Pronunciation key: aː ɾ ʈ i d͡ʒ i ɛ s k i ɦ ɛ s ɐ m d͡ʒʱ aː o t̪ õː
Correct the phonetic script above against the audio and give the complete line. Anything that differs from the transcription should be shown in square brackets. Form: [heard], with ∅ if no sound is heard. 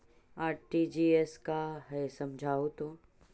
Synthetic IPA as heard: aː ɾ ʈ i d͡ʒ i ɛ s k [a] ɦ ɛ s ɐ m d͡ʒʱ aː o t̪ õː